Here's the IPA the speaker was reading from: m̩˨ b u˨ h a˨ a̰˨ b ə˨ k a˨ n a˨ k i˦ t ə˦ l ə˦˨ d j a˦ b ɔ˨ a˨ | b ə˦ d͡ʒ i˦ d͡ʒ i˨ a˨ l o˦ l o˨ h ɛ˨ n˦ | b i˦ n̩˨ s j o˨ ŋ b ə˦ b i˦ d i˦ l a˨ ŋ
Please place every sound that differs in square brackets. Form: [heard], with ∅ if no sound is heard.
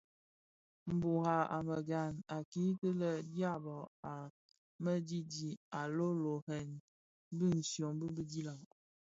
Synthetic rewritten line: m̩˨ b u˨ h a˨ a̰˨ [m] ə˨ [ɡ] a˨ n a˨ k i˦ t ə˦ l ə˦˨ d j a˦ b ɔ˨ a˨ | [m] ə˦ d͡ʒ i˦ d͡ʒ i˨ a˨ l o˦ l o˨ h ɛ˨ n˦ | b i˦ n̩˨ s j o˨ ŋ b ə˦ b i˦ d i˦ l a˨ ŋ